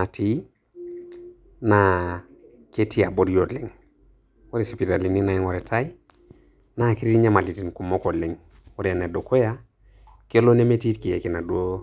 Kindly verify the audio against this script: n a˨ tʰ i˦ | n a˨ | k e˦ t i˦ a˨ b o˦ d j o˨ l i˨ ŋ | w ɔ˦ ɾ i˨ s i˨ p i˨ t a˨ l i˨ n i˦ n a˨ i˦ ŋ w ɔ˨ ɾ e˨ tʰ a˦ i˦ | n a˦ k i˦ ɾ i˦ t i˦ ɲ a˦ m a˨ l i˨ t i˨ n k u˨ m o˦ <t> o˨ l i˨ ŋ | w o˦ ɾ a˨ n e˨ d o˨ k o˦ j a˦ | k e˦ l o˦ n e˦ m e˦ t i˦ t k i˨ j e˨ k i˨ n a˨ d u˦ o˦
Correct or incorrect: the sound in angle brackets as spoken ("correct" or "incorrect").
incorrect